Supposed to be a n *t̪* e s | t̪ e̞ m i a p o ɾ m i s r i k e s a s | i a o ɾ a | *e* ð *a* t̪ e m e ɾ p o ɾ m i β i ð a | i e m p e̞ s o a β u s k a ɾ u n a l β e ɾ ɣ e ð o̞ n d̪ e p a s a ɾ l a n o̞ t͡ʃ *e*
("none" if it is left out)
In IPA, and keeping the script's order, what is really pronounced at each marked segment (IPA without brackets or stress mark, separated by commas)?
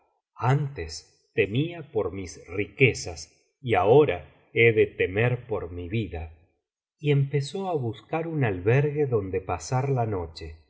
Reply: t̪, e, e, e